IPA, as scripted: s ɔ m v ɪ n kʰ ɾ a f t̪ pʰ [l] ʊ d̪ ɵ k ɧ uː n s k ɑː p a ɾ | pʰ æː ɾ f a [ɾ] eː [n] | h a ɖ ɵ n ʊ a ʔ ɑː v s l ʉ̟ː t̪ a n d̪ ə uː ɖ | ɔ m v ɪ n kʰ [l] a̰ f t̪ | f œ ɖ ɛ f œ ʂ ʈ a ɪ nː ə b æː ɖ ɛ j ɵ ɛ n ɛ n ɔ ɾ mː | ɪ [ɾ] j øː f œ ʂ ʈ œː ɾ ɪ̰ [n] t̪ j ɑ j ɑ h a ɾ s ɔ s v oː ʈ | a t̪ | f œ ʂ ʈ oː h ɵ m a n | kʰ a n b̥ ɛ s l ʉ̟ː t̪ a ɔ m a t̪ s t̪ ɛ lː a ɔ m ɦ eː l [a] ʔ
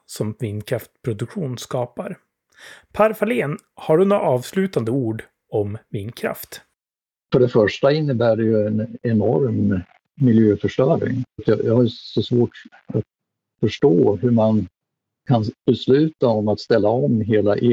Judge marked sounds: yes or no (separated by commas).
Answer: no, no, yes, no, no, no, yes